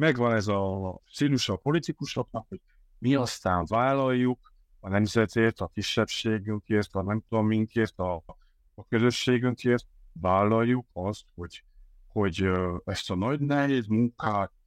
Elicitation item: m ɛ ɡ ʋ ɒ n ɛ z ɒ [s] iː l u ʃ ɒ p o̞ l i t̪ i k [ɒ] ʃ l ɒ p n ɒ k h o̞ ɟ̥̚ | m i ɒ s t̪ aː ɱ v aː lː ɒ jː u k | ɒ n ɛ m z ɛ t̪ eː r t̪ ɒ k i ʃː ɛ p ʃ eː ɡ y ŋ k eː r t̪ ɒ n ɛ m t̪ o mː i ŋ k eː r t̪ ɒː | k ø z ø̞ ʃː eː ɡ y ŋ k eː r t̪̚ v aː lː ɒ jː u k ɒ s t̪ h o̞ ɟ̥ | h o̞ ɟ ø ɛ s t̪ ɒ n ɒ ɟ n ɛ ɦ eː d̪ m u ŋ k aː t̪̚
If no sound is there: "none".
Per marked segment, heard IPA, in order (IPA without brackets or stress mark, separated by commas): s, u